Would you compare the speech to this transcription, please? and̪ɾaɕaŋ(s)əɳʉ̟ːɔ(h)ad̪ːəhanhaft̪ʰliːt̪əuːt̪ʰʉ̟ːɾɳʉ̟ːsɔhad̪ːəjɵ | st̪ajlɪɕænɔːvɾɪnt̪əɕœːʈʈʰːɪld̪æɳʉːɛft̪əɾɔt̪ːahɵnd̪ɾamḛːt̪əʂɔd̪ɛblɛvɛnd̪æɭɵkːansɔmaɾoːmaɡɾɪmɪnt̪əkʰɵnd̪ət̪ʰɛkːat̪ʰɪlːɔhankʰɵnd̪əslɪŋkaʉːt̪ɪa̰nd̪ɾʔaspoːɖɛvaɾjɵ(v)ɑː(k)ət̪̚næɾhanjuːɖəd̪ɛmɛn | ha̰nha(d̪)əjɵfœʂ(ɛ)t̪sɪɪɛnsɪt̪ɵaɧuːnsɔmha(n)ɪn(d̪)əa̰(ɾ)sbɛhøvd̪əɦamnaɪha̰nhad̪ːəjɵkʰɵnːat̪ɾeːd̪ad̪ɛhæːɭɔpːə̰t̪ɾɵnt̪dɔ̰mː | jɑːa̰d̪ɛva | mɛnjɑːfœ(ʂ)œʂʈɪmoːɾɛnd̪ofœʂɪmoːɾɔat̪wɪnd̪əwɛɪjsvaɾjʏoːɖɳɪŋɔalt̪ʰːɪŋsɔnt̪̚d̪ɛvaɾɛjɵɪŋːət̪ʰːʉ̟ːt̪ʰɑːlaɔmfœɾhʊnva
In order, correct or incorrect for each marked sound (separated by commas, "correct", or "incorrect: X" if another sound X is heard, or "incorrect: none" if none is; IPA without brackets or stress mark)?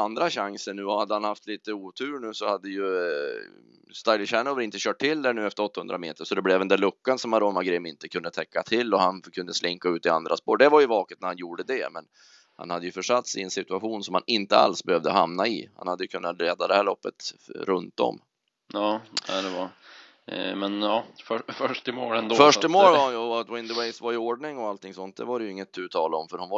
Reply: correct, correct, correct, correct, incorrect: d̪ː, incorrect: a, correct, incorrect: t̪, incorrect: l, incorrect: f